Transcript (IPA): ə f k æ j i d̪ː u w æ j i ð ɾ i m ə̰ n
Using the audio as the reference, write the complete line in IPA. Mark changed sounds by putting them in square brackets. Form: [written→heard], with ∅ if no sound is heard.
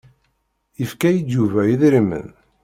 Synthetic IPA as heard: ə f k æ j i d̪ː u [w→v] æ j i ð ɾ i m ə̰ n

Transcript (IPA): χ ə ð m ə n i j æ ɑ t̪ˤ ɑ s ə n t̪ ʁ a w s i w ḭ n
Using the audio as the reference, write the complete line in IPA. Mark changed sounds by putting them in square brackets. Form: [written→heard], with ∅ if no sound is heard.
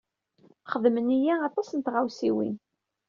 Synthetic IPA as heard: χ ə ð m ə n i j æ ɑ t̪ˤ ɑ s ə n t̪ ʁ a w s i w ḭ n

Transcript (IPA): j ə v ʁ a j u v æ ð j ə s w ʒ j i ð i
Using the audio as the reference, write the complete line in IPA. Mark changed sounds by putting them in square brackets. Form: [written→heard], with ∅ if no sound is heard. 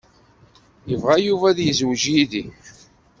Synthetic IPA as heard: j ə v ʁ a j u v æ ð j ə [s→z] w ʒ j i ð i

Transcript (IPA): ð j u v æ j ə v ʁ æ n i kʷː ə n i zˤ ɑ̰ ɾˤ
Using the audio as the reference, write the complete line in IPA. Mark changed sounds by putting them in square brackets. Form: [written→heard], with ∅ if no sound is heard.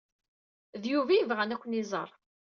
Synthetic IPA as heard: ð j u v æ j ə v ʁ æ n [i→æ] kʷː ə n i zˤ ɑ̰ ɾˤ

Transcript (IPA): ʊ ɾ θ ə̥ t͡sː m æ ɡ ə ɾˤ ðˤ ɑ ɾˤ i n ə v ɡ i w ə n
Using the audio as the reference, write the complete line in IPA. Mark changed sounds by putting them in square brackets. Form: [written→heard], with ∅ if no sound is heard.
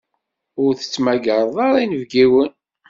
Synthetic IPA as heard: ʊ ɾ θ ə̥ t͡sː m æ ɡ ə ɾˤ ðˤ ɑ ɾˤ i n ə v ɡ i w ə n

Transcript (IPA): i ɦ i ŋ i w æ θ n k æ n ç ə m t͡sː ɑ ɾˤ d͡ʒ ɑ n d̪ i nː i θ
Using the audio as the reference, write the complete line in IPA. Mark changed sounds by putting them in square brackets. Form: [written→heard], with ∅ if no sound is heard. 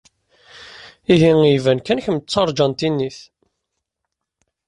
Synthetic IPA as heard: i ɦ i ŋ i [w→v] æ [θ→∅] n k æ n ç ə m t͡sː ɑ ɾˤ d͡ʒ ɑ n [d̪→t̪] i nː i θ

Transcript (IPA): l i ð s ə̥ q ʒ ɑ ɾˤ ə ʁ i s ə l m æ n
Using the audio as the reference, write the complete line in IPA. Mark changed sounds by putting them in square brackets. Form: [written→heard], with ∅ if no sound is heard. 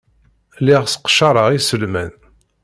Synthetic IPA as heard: l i [ð→ʁ] s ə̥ q [ʒ→ʃ] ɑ ɾˤ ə ʁ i s ə l m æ n

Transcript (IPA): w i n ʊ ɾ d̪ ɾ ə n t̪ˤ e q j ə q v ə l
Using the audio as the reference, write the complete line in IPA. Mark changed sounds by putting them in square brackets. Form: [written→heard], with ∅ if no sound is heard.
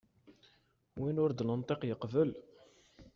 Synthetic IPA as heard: w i n ʊ ɾ d̪ [ɾ→l] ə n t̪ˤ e q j ə q v ə l

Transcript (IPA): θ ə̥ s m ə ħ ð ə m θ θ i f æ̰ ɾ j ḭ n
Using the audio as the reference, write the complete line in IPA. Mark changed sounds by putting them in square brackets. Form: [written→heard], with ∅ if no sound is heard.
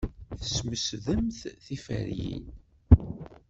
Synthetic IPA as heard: θ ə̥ s m ə [ħ→s] ð ə m θ θ i f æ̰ ɾ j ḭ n

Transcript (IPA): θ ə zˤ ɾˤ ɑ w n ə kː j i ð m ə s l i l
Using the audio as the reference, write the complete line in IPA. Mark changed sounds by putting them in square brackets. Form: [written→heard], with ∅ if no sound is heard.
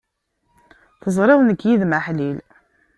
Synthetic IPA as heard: θ ə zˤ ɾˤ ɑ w n ə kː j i ð m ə [s→ħ] l i l

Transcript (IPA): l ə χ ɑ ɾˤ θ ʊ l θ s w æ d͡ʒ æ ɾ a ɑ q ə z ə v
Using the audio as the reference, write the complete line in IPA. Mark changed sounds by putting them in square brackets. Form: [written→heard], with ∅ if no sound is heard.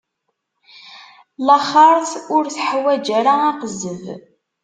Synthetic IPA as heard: l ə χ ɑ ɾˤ θ ʊ [l→ɾ] θ [s→ħ] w æ d͡ʒ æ ɾ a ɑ q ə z ə v

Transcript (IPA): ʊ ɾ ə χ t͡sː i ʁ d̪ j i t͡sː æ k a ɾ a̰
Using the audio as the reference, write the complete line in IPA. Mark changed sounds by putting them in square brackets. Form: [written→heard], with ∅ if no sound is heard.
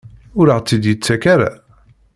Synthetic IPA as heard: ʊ ɾ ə [χ→ʁ] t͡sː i [ʁ→∅] d̪ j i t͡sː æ k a ɾ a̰

